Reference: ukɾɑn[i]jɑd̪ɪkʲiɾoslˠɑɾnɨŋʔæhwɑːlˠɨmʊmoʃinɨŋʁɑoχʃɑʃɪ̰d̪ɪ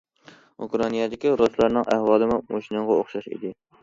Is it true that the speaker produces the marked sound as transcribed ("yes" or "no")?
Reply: yes